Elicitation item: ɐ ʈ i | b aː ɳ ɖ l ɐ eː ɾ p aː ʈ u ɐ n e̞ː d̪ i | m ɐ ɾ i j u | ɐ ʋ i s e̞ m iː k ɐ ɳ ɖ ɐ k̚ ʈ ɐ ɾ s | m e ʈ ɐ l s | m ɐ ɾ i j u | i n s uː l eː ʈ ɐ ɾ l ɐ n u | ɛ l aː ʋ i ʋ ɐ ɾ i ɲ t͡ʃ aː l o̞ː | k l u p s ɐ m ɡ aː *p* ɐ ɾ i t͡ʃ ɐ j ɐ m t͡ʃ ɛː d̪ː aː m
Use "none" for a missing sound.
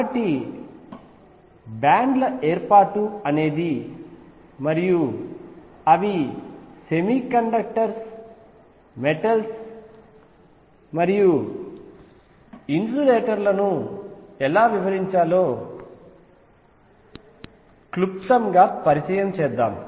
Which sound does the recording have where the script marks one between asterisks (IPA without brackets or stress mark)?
p